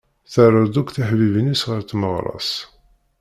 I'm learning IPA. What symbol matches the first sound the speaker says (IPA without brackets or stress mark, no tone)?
θ